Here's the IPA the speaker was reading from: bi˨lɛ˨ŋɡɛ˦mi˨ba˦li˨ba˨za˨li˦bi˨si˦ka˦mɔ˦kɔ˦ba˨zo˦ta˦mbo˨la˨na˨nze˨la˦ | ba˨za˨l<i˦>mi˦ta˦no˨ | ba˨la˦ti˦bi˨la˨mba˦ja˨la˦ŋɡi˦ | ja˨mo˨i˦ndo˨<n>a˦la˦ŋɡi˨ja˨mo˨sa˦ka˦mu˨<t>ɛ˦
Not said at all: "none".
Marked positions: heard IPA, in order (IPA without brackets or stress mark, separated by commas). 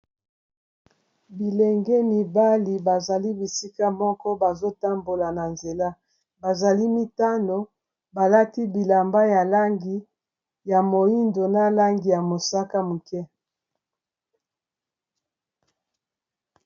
i˦, n, k